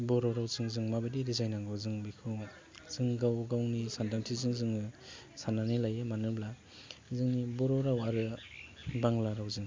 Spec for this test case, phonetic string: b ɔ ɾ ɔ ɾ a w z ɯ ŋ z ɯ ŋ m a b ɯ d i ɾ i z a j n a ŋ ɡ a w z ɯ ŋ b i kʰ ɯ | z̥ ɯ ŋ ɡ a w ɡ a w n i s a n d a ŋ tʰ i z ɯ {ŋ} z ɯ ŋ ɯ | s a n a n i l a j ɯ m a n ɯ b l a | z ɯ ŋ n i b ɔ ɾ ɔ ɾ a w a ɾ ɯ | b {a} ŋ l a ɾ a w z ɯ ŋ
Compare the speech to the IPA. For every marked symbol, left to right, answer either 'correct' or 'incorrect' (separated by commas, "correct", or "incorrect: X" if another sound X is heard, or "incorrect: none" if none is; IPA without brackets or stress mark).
correct, correct